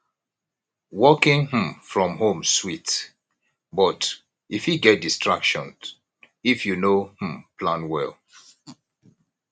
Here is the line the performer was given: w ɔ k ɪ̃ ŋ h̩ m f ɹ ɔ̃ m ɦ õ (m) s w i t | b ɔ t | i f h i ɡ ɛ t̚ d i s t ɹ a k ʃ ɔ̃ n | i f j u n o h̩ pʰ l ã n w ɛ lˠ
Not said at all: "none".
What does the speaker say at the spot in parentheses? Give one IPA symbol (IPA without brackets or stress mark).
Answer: m